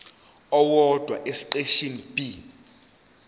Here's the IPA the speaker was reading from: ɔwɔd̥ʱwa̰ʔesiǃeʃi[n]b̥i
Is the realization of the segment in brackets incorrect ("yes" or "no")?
no